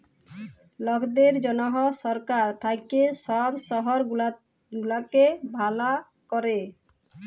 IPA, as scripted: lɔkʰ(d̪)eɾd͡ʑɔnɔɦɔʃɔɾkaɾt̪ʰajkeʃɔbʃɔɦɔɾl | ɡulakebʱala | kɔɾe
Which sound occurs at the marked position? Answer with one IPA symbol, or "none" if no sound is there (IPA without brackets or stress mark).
d̪